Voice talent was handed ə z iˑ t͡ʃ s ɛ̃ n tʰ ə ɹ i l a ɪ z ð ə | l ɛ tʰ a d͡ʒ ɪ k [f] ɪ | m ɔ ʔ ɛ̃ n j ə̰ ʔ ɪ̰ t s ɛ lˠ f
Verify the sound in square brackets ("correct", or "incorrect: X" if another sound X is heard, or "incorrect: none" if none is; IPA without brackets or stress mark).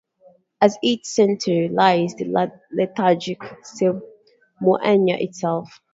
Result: incorrect: s